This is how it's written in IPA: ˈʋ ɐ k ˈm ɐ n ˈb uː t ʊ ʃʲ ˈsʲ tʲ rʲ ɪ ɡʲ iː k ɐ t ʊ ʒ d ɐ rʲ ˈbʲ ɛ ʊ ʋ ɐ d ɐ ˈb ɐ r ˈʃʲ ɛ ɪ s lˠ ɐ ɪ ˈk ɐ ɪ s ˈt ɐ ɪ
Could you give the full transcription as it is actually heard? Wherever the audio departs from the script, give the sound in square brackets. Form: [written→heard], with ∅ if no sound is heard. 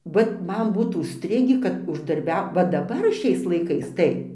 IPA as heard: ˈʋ ɐ [k→t] ˈm ɐ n ˈb uː t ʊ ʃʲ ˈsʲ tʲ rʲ ɪ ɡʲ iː k ɐ t ʊ ʒ d ɐ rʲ ˈbʲ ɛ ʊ ʋ ɐ d ɐ ˈb ɐ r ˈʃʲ ɛ ɪ s lˠ ɐ ɪ ˈk ɐ ɪ s ˈt ɐ ɪ